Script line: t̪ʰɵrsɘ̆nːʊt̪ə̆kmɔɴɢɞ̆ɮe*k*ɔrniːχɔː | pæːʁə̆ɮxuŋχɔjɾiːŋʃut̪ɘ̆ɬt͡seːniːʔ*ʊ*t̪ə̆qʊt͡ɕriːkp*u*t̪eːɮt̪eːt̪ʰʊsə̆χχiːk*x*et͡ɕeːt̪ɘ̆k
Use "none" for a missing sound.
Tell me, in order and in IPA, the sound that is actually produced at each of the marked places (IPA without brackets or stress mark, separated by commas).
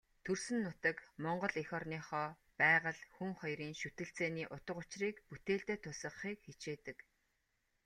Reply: x, ʊ, u, x